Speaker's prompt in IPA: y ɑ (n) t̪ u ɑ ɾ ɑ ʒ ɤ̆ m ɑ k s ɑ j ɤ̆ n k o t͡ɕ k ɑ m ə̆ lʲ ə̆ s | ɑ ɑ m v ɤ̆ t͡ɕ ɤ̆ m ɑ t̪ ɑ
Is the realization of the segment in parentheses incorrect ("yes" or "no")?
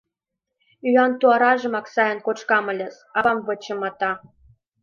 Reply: no